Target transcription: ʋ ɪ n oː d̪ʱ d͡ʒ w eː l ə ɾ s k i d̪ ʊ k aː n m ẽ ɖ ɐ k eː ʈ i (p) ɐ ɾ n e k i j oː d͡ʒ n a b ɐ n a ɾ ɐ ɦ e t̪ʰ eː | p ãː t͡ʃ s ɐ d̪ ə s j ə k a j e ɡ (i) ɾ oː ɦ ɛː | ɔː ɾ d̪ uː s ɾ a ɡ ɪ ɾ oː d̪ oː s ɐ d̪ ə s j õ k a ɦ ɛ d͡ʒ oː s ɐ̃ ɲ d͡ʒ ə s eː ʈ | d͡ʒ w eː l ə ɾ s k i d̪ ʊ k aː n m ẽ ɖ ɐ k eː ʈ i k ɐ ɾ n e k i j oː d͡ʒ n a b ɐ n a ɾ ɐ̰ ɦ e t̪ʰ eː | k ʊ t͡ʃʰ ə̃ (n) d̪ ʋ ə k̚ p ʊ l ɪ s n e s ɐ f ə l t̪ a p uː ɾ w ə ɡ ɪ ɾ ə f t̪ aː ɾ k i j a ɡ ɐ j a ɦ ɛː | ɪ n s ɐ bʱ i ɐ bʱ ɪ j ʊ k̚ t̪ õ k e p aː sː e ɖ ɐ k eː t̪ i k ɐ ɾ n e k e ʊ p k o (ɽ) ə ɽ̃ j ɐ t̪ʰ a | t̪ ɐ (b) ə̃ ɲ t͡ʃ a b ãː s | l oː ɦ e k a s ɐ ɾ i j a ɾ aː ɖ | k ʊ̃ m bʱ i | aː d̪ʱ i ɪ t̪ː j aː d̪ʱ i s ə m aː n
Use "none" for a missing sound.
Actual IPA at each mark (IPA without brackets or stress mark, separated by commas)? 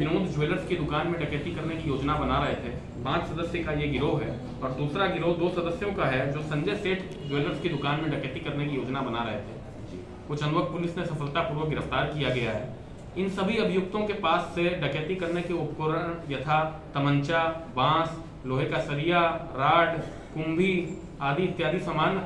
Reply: k, ɪ, n, ɾ, m